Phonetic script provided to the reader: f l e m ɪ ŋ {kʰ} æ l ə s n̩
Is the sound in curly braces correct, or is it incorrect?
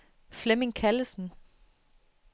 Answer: correct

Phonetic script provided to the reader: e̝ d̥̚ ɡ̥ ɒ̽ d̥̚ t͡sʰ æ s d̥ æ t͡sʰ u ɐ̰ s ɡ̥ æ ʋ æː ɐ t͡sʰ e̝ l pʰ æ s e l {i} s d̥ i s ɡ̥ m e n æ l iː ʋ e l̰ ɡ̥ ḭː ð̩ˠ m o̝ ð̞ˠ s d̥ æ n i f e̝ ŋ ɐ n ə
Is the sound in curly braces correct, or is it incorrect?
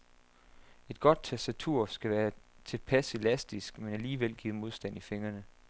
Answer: incorrect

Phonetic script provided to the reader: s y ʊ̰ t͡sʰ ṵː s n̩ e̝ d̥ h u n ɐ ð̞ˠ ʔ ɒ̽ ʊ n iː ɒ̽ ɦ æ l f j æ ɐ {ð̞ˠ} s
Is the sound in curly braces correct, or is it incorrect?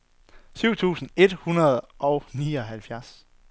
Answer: incorrect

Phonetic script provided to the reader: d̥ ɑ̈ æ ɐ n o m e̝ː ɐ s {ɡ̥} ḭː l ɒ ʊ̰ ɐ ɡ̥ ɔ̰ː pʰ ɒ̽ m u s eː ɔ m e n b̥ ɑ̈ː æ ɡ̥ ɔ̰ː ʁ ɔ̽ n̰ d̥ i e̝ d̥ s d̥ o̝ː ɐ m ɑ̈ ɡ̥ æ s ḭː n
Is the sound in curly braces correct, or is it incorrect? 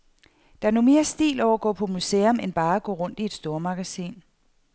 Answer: incorrect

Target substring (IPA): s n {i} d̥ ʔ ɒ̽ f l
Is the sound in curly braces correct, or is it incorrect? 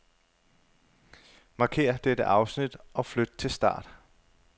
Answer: correct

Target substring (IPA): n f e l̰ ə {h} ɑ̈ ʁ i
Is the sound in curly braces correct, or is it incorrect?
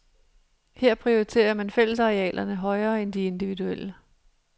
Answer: incorrect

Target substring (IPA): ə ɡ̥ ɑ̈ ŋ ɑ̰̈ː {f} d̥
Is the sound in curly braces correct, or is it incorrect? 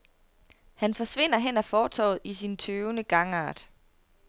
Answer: incorrect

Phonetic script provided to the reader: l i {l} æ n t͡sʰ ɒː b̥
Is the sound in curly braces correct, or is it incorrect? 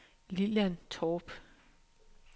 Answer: correct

